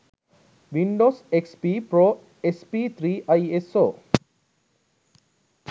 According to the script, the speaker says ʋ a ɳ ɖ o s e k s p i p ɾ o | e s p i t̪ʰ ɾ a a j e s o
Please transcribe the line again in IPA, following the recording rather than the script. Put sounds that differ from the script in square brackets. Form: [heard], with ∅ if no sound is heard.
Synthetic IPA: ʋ [i] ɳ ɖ o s e k s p i p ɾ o | e s p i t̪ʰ ɾ [i] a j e s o